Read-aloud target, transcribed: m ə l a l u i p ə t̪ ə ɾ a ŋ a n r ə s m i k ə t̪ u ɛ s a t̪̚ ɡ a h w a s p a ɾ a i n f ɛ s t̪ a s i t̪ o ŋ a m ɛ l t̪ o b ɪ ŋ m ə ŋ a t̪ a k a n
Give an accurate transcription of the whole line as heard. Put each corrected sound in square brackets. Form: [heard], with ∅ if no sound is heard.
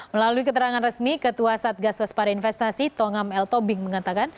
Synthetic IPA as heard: m ə l a l u i [k] ə t̪ ə ɾ a ŋ a n r ə s m i k ə t̪ u [a] s a t̪̚ ɡ a [s] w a s p a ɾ a i n f ɛ s t̪ a s i t̪ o ŋ a m ɛ l t̪ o b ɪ ŋ m ə ŋ a t̪ a k a n